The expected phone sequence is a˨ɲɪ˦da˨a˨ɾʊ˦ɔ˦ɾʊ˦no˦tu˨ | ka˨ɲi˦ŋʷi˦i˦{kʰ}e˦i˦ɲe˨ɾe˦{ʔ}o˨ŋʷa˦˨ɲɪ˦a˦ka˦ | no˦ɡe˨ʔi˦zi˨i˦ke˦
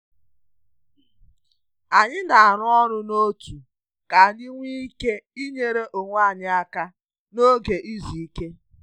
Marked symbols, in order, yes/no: no, yes

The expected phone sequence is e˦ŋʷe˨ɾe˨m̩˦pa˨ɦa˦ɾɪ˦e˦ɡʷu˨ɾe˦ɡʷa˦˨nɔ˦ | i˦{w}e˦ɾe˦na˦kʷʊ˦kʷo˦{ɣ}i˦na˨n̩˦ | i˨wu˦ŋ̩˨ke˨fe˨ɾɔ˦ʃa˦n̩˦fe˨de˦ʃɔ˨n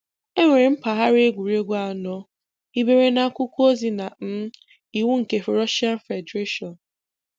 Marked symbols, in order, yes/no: no, no

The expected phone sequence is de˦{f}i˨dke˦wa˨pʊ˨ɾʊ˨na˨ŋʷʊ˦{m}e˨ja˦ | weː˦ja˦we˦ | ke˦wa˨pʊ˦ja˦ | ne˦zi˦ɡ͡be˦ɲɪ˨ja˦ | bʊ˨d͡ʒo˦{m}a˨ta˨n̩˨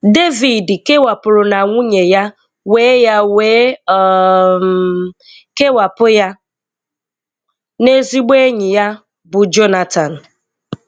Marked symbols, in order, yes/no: no, no, no

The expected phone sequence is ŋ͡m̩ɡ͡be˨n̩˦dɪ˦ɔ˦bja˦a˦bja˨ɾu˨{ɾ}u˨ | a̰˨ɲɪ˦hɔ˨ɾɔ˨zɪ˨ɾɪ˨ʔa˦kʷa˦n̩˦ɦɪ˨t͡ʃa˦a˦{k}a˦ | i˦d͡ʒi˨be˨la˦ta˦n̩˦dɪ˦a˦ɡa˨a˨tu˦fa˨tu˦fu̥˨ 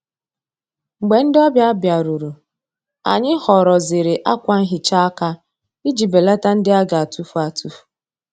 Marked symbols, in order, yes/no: yes, yes

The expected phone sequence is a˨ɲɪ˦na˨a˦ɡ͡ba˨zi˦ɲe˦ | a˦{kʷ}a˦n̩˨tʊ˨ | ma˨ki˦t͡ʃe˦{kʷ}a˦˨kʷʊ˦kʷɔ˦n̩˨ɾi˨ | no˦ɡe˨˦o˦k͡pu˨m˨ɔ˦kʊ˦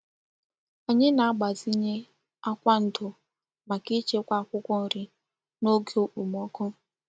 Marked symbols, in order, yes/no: yes, yes

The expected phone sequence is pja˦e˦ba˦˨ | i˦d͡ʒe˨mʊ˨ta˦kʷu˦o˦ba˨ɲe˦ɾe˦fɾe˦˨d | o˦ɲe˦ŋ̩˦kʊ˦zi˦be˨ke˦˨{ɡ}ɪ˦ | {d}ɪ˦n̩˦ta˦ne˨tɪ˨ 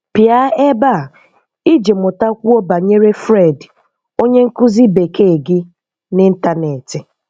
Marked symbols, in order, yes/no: yes, no

